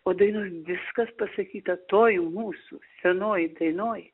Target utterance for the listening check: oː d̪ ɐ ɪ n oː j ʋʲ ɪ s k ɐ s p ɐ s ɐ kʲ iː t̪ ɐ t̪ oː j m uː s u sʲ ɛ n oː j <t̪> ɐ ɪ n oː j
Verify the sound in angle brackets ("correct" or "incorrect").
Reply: incorrect